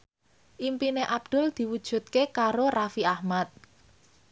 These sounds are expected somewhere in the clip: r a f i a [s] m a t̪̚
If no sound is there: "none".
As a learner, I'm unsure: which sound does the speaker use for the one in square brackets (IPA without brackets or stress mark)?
h